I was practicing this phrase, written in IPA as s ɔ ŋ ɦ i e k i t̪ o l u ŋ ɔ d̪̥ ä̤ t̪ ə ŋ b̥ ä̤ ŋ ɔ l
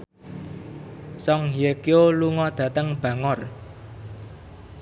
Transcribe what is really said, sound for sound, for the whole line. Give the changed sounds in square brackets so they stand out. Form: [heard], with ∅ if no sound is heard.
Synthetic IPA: s ɔ ŋ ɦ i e k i [∅] o l u ŋ ɔ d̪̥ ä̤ t̪ ə ŋ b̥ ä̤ ŋ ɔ [r]

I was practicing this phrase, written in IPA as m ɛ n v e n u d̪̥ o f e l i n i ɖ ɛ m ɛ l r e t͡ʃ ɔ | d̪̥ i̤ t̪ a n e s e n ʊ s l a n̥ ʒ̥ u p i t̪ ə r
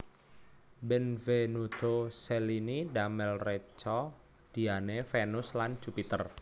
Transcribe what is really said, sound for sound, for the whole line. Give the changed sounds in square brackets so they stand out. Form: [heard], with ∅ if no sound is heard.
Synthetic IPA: [b] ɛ n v e n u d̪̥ o [s] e l i n i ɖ [a] m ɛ l r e t͡ʃ ɔ | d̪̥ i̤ [∅] a n e [f] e n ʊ s l a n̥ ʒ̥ u p i t̪ ə r

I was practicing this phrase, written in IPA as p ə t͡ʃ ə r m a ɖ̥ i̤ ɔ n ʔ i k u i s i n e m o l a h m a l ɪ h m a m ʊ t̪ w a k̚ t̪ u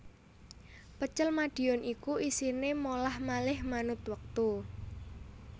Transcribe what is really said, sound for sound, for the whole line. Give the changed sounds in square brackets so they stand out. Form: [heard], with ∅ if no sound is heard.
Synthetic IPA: p ə t͡ʃ ə [l] m a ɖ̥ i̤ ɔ n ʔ i k u i s i n e m o l a h m a l ɪ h m a [n] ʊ t̪ w [ə] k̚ t̪ u

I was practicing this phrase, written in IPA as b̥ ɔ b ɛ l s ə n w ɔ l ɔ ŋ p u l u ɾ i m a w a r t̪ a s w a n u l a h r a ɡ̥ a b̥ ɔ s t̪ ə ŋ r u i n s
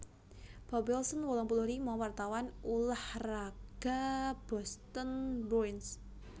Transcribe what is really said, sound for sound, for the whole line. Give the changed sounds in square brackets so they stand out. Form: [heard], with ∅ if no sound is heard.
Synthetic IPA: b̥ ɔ b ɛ l s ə n w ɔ l ɔ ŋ p u l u ɾ i m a w a r t̪ a [∅] w a n u l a h r a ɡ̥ a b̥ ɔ s t̪ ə [n] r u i n s

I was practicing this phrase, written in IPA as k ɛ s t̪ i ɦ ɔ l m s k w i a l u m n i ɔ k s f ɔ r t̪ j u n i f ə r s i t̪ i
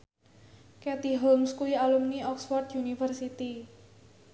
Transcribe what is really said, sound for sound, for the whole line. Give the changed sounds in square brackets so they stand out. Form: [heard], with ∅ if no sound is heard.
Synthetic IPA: k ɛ [∅] t̪ i ɦ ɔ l m s k [u] i a l u m n i ɔ k s f ɔ r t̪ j u n i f ə r s i t̪ i

